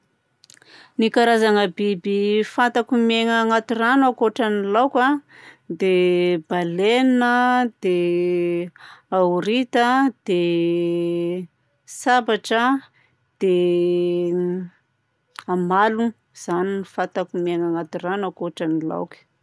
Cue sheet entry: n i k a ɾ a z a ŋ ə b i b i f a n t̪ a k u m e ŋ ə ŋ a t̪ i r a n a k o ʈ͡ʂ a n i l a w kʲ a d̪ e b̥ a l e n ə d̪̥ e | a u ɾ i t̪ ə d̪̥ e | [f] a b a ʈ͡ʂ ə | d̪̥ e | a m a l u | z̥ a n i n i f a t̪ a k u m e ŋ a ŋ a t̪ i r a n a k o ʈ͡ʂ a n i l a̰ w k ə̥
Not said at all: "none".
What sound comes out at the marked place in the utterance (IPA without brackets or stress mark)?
s